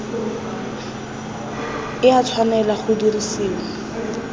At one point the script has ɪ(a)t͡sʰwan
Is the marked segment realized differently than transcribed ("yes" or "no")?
no